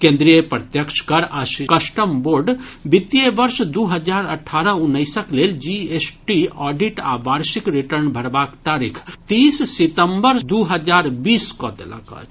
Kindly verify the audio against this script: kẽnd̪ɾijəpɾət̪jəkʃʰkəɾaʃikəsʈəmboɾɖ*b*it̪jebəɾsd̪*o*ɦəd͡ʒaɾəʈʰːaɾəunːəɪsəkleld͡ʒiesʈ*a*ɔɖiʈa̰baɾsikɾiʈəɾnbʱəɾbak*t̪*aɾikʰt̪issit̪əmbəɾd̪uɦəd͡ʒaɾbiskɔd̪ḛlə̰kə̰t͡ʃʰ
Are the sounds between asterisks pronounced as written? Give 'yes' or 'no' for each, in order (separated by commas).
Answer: yes, no, no, yes